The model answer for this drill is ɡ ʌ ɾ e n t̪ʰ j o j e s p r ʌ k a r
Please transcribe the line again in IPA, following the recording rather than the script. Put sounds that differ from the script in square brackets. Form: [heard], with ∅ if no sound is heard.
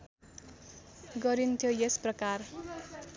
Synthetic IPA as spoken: ɡ ʌ ɾ [i] n t̪ʰ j o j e s p r ʌ k a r